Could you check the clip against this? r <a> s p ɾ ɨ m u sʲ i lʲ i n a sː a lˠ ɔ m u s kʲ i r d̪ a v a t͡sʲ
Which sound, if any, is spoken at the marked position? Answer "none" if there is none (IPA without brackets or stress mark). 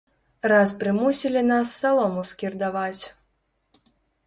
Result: a